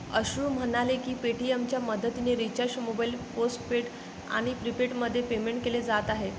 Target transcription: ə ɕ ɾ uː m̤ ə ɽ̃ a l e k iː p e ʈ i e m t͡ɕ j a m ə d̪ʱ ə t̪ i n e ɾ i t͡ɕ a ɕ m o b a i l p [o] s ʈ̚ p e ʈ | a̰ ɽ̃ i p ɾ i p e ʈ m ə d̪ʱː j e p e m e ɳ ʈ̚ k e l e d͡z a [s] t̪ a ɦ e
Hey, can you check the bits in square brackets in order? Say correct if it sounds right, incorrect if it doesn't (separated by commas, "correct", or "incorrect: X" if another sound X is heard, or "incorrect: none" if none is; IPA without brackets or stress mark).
correct, incorrect: none